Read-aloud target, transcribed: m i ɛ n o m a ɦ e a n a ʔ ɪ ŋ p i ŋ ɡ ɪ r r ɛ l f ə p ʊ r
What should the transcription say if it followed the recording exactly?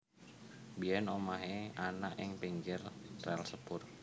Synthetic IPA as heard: b i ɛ n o m a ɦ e a n a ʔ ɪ ŋ p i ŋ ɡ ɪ r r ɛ l s ə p ʊ r